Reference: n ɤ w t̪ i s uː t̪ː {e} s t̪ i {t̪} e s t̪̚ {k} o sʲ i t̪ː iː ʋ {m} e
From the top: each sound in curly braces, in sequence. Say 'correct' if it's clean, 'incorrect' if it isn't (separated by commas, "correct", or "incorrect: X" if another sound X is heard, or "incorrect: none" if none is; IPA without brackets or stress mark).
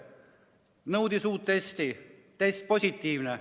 correct, correct, incorrect: p, incorrect: n